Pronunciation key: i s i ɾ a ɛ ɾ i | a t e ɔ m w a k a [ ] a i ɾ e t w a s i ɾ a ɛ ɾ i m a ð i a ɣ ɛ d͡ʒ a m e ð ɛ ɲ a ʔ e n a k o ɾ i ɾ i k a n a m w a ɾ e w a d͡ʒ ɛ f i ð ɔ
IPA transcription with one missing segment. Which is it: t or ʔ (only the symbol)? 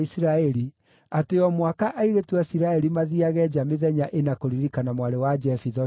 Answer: ʔ